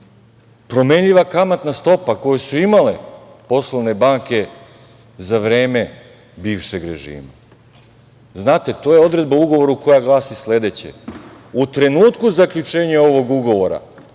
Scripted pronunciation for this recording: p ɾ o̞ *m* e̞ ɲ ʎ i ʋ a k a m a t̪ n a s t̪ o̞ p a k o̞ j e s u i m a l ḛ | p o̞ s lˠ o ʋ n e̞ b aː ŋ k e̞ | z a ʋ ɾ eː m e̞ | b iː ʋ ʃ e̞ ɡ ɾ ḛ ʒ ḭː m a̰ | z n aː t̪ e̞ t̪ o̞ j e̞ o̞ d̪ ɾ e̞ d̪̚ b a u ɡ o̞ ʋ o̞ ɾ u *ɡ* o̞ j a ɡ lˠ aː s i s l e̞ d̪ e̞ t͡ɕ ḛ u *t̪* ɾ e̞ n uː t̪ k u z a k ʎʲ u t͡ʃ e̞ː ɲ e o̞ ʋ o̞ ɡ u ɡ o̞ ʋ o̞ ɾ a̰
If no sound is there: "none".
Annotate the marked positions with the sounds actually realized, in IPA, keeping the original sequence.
m, k, t̪

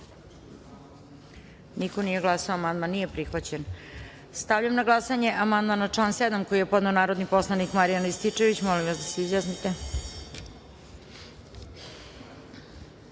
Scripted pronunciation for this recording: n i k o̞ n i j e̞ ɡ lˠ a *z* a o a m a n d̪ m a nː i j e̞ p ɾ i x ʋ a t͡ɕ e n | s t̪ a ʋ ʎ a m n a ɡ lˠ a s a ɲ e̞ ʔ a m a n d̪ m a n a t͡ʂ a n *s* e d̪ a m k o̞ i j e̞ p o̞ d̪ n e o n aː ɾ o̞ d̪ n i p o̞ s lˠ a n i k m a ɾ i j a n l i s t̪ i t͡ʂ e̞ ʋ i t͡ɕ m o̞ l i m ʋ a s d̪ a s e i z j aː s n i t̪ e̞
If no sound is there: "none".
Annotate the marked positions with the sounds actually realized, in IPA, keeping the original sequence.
s, s

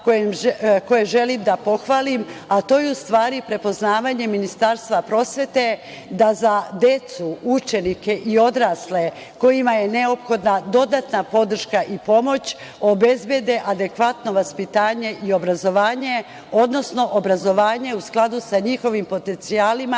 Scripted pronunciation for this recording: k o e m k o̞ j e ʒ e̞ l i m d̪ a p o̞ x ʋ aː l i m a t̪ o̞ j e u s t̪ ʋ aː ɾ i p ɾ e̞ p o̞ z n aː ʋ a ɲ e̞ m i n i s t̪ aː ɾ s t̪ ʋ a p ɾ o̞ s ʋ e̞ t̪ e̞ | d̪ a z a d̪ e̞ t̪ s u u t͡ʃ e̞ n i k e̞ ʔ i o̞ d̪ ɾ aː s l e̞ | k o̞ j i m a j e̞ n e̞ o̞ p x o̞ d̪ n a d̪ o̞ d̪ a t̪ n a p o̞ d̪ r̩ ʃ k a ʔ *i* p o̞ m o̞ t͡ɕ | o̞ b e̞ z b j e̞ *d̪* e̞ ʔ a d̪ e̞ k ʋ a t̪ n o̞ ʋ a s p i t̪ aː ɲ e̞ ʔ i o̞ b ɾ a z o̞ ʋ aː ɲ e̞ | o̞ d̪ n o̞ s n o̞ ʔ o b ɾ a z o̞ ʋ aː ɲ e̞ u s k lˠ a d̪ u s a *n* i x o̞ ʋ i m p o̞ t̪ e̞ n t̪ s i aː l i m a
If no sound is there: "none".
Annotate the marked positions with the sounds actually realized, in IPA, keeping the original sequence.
i, d̪, ɲ

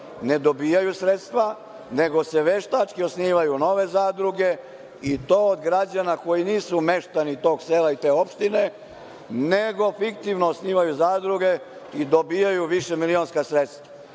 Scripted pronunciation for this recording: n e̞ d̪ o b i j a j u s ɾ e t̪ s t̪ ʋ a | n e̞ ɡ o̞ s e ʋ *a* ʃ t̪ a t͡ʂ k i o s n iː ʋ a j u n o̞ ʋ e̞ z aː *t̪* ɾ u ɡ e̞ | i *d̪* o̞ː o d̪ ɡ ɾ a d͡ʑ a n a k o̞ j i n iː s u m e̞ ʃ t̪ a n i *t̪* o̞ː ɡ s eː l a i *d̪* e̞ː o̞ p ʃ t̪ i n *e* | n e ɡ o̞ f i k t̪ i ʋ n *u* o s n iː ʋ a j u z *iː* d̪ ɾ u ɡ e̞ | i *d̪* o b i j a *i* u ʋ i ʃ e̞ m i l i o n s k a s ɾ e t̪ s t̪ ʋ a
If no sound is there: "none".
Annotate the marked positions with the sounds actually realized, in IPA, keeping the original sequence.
e, d̪, t̪, t̪, t̪, e, o, aː, d̪, j

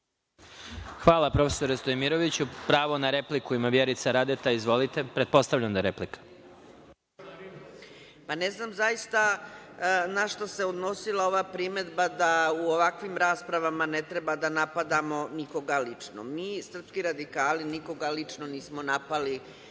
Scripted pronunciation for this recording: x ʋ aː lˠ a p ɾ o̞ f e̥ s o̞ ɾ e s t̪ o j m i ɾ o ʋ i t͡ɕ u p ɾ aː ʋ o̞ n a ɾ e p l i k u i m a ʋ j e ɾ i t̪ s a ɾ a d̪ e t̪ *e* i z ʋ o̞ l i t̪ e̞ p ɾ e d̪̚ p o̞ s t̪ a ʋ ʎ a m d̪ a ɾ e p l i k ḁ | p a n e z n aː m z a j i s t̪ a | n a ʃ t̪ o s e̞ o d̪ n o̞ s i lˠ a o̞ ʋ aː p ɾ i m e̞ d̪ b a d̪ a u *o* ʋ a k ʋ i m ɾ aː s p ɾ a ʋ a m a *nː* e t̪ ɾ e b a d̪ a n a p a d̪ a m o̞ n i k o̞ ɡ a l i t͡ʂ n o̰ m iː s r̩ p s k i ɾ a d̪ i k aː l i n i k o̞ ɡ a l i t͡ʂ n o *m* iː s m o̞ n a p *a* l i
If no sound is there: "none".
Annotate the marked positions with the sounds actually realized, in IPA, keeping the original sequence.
a, o, n, n, a

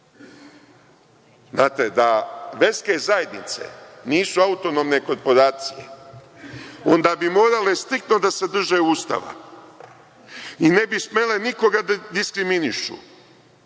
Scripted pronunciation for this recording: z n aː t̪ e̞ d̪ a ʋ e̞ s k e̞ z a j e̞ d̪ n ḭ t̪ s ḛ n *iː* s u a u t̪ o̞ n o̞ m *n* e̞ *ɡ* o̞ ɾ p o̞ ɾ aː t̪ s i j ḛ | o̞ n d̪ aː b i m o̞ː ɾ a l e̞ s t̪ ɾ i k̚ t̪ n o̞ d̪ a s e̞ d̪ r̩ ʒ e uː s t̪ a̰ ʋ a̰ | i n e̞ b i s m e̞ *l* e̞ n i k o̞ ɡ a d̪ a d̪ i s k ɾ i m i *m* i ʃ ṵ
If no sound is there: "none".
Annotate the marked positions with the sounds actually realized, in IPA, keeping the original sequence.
iː, n, k, l, n

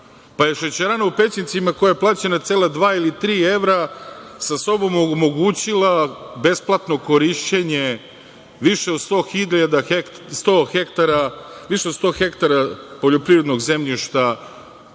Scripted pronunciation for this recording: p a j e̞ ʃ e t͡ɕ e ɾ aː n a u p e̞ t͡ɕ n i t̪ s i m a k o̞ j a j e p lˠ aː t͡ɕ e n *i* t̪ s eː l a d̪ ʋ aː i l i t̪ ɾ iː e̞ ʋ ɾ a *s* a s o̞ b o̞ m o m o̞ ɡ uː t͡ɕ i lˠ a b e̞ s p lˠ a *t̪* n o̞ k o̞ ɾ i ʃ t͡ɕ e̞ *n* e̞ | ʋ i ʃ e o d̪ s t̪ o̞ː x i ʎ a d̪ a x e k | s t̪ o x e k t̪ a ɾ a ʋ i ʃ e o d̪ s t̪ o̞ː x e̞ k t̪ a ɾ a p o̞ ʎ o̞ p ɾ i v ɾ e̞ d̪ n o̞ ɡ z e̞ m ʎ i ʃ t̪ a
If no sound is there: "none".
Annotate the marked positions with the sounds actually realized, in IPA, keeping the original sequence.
a, s, t̪, ɲ

